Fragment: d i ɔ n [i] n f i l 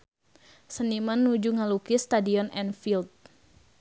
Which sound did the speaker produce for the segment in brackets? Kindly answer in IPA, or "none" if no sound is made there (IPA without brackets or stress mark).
ɛ